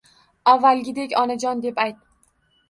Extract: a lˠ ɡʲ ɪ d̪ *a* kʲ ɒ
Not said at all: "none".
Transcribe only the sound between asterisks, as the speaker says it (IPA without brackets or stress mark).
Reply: e